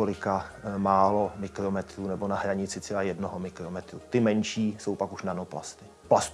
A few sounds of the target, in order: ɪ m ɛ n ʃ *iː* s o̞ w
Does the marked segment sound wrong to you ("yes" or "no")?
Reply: no